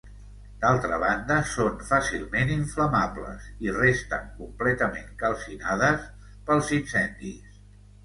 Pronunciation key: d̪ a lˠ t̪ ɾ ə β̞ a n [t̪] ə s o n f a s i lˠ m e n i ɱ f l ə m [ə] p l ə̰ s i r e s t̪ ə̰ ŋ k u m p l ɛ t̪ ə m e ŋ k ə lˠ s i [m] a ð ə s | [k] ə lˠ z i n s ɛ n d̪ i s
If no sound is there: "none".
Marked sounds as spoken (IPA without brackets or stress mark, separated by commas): d̪, a, n, p